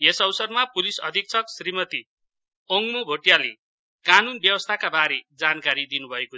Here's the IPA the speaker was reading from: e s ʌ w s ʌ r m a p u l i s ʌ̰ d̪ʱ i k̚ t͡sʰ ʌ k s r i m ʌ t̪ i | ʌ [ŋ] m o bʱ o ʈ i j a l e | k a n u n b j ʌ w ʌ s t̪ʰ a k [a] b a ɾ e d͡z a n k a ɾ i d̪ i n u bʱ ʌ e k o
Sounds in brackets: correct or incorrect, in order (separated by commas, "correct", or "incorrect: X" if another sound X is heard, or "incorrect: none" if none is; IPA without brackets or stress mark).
correct, correct